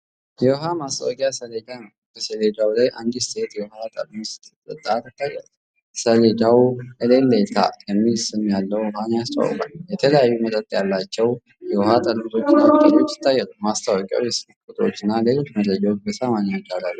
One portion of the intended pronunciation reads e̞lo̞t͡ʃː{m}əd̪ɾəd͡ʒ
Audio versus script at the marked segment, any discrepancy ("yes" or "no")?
no